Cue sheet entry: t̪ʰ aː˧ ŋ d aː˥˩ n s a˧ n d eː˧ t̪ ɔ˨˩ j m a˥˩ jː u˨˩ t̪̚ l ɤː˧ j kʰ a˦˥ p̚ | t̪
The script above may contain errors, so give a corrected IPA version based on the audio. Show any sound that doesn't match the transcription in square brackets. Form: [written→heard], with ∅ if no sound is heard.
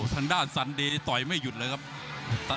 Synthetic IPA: t̪ʰ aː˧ ŋ d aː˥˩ n s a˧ n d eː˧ t̪ ɔ˨˩ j m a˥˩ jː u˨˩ t̪̚ l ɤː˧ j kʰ a˦˥ p̚ | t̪